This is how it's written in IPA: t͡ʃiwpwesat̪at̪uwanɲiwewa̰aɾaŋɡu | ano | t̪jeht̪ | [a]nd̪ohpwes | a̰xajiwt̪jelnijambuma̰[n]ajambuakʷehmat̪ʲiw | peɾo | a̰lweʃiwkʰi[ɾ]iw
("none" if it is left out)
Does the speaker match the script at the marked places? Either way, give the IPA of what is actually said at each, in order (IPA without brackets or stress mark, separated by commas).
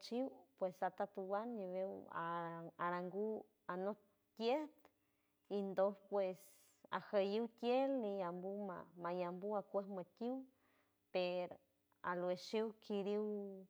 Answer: i, m, ɾ